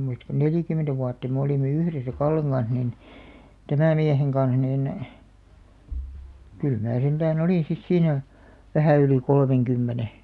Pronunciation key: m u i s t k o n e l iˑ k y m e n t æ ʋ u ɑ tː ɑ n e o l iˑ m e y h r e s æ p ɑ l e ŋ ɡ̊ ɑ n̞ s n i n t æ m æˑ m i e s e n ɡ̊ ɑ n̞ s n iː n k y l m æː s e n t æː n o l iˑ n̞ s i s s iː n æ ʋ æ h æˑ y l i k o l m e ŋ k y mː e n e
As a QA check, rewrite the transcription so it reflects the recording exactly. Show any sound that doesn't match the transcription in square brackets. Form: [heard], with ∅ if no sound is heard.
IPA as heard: m u i s t k o n e l iˑ k y m e n t æ ʋ u ɑ tː ɑ [m] e o l iˑ m e y h r e s æ [k] ɑ [lː] e ŋ ɡ̊ ɑ n̞ s n i n t æ m æˑ m i e [h] e [ŋ] ɡ̊ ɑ n̞ s n iː n k y l m æː s e n t æː n o l iˑ n̞ s i s s iː n æ ʋ æ h æˑ y l i k o l m e ŋ k y mː e n e